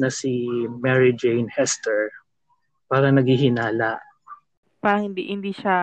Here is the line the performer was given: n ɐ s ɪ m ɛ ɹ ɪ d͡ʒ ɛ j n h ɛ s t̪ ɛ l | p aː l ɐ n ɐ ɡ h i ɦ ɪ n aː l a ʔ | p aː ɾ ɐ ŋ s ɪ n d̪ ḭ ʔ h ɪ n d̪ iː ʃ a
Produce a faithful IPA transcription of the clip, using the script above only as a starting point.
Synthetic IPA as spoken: n ɐ s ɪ m ɛ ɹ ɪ d͡ʒ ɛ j n h ɛ s t̪ ɛ ɹ | p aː ɾ ɐ n ɐ ɡ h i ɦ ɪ n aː l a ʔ | p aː ɾ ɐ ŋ h ɪ n d̪ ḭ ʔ h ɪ n d̪ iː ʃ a